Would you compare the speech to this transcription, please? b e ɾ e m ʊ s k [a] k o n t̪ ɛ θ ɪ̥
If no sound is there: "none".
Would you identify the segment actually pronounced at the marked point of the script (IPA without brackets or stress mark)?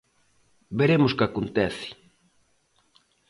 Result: a